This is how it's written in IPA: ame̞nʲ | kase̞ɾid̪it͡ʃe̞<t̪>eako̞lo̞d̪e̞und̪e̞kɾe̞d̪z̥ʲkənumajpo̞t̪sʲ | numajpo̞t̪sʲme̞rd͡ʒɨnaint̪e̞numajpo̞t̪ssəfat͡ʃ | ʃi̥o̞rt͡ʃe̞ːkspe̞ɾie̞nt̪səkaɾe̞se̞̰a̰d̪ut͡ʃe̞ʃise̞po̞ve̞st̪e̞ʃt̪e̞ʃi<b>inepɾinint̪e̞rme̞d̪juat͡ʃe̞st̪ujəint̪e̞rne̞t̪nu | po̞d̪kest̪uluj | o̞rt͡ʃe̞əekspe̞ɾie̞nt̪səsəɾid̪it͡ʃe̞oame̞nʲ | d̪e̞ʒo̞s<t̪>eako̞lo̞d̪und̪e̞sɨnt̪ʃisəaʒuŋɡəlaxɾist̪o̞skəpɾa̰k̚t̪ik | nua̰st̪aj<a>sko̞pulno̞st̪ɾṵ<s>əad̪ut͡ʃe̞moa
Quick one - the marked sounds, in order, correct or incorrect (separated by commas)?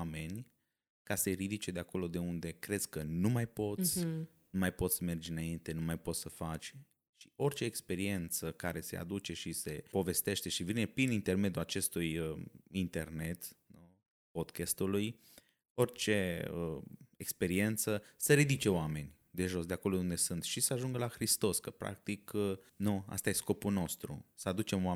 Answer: incorrect, incorrect, incorrect, incorrect, correct